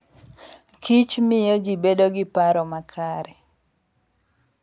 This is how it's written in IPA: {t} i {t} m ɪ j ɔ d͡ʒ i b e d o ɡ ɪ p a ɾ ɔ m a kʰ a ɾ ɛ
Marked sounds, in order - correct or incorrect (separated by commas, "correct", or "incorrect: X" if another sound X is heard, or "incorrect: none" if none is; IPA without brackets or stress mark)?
incorrect: k, incorrect: t͡ʃ